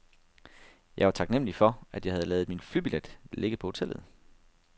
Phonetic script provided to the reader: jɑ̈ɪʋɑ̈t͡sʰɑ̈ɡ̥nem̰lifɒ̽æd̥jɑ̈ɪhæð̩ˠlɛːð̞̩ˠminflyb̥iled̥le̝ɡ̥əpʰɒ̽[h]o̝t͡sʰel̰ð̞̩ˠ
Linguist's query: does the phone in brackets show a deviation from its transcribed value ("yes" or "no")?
no